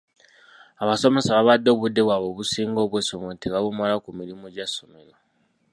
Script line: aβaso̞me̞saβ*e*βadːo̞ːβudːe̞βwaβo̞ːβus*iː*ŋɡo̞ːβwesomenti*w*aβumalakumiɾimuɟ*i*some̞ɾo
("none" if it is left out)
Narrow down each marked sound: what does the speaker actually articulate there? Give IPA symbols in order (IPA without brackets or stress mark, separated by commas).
a, iː, β, a